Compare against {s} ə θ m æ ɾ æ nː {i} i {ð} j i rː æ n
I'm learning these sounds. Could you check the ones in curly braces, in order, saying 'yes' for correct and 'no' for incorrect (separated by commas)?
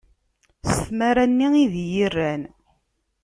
yes, yes, yes